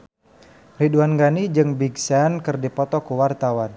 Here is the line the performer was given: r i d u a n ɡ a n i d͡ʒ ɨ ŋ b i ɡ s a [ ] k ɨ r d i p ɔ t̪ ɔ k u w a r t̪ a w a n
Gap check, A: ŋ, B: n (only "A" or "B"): B